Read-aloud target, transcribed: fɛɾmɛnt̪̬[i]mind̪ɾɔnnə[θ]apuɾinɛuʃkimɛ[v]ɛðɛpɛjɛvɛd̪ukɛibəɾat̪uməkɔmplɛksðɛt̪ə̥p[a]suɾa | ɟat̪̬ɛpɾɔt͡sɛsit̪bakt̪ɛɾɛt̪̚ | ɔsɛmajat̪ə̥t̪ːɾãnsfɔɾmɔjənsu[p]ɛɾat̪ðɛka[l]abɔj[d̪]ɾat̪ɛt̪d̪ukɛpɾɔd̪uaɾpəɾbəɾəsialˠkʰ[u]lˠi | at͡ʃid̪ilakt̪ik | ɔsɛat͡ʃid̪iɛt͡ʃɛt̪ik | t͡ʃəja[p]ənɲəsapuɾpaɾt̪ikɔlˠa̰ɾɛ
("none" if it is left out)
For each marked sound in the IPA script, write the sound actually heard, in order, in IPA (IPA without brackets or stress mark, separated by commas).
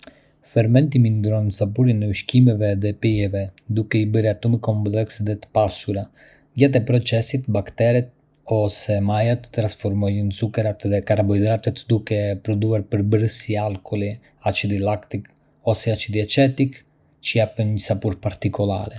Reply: i, s, v, a, k, ɾ, d̪, ɔ, p